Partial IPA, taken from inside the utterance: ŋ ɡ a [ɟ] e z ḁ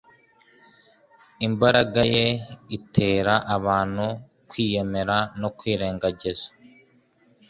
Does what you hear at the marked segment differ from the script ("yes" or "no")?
no